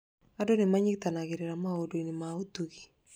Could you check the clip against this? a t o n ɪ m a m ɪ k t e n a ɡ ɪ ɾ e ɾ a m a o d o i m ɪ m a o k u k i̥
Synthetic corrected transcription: a d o n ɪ m a ɲ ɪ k t a n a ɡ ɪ ɾ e ɾ a m a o d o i n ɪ m a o t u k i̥